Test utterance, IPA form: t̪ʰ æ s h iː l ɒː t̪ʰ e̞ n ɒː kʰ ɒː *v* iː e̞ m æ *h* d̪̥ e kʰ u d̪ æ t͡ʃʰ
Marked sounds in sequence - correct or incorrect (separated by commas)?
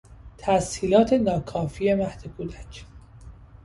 incorrect, correct